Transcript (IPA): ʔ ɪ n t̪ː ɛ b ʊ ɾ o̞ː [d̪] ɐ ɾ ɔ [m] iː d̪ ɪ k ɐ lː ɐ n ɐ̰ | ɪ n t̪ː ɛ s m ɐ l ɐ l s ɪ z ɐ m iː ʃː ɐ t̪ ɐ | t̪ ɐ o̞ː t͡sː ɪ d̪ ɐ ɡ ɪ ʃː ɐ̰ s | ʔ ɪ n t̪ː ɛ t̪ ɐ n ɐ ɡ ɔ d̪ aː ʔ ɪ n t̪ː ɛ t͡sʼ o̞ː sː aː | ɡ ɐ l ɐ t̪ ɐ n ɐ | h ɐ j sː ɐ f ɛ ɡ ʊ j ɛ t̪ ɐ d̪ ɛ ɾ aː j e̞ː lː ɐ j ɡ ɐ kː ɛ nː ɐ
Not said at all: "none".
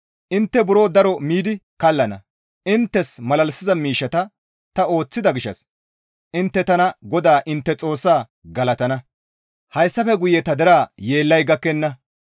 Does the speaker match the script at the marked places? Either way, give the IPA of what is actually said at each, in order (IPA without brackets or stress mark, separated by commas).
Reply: d̪, m